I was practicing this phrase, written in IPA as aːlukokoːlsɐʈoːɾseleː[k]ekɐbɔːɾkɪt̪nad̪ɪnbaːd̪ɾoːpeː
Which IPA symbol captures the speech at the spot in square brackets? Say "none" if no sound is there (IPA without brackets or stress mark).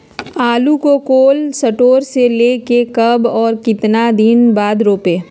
k